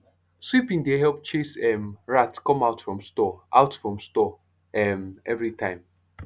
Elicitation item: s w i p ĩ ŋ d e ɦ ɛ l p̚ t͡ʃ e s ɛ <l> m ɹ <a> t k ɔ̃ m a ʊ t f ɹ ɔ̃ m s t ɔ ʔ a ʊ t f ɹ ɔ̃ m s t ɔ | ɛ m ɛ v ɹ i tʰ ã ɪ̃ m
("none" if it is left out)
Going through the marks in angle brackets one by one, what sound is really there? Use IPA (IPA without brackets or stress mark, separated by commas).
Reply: none, a